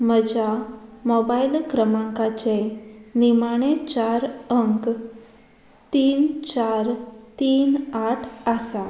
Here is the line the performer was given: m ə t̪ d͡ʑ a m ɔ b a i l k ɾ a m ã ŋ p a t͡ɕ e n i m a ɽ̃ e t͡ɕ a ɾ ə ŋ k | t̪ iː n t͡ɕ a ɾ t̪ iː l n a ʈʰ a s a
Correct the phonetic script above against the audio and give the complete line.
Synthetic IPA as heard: m ə d͡ʑ a m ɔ b a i l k ɾ ə m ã ŋ k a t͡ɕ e n i m a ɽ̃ e t͡ɕ a ɾ ə ŋ k | t̪ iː n t͡ɕ a ɾ t̪ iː n a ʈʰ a s a